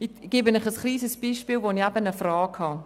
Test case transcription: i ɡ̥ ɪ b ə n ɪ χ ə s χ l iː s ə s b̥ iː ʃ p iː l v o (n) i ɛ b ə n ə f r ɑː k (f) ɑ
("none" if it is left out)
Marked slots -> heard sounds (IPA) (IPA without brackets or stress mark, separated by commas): n, h